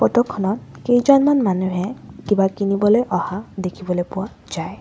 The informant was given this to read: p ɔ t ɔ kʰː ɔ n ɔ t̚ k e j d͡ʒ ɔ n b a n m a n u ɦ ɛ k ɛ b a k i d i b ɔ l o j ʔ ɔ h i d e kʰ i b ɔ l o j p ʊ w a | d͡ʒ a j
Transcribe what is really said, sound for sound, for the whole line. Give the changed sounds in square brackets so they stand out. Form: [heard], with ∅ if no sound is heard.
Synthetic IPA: p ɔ t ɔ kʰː ɔ n ɔ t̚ k e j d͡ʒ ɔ n [m] a n m a n u ɦ ɛ k [i] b a k i [n] i b ɔ l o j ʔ ɔ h [a] d e kʰ i b ɔ l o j p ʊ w a | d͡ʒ a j